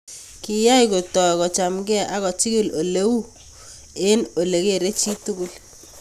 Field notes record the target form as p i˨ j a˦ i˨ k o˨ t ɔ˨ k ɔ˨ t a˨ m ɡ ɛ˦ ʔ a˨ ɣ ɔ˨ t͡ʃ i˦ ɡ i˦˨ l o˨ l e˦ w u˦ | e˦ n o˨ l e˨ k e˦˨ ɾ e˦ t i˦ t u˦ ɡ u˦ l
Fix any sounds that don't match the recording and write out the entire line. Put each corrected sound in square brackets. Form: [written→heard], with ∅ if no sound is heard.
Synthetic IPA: [p→k] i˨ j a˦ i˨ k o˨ t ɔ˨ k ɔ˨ [t→t͡ʃ] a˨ m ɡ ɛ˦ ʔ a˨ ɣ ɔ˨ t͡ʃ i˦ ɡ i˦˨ l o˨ l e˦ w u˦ | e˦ n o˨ l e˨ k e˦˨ ɾ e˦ [t→t͡ʃ] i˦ t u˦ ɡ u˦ l